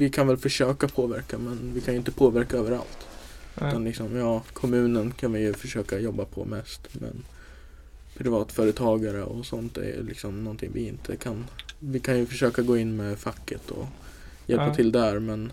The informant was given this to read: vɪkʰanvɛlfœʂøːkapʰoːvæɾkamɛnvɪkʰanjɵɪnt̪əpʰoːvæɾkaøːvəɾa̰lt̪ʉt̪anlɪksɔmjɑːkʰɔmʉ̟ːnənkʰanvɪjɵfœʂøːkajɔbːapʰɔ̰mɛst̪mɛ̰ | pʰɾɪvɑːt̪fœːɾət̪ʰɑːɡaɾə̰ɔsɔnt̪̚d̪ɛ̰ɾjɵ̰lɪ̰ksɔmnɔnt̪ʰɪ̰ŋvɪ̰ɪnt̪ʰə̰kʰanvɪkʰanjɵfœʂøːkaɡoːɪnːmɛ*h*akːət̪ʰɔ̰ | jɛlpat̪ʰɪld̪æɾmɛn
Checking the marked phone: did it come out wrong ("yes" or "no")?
yes